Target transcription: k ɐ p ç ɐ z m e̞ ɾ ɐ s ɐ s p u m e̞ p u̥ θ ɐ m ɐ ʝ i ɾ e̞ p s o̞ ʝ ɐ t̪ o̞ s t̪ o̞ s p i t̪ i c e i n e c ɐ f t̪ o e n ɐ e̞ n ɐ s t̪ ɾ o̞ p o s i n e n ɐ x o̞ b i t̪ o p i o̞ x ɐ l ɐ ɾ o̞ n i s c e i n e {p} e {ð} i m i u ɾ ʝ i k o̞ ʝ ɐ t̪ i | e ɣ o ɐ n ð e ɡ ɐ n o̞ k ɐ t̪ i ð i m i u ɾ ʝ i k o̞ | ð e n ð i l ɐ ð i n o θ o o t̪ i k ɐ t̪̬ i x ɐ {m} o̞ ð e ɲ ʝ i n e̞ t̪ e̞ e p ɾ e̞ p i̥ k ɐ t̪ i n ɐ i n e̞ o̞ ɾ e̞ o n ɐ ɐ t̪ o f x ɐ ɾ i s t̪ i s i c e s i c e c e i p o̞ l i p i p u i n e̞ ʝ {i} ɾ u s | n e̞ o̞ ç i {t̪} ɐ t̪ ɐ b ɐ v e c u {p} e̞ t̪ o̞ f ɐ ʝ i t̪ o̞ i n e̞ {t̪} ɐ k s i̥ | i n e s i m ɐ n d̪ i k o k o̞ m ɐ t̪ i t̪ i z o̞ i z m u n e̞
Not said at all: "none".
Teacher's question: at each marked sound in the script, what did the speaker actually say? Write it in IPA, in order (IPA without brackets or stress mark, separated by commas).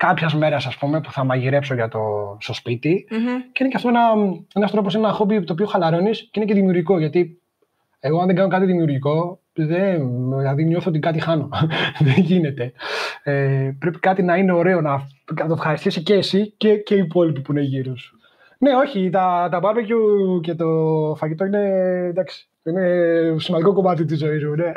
c, ð, n, i, t̪, c, d̪